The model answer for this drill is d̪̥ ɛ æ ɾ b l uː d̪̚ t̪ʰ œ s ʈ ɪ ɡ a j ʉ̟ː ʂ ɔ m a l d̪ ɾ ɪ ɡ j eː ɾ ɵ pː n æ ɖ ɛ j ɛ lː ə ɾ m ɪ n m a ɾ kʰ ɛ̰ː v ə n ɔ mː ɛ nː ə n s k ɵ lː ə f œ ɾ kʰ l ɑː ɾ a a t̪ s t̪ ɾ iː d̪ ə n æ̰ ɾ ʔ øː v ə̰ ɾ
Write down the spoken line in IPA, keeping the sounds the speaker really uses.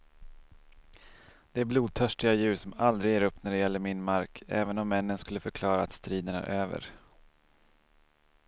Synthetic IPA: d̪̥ ɛ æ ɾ b l uː d̪̚ t̪ʰ œ ʂ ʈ ɪ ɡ a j ʉ̟ː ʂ ɔ m a l d̪ ɾ ɪ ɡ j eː ɾ ɵ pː n æ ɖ ɛ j ɛ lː ə ɾ m ɪ n m a ɾ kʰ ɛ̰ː v ə n ɔ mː ɛ nː ə n s k ɵ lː ə f œ ɾ kʰ l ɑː ɾ a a t̪ s t̪ ɾ iː d̪ ə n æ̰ ɾ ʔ øː v ə̰ ɾ